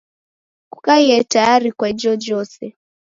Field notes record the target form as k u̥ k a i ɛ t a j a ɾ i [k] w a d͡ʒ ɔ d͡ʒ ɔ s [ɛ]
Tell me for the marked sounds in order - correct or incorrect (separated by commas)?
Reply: correct, correct